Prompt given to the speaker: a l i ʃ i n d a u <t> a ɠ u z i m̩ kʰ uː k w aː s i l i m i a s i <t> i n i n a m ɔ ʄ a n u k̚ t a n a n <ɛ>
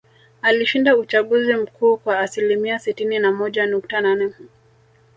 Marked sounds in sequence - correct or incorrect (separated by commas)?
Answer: incorrect, correct, correct